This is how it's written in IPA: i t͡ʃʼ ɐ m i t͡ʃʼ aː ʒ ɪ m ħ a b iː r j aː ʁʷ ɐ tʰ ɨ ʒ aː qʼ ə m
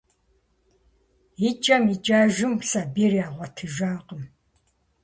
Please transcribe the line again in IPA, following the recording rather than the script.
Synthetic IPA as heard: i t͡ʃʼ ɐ m i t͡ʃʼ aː ʒ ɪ m s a b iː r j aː ʁʷ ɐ tʰ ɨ ʒ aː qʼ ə m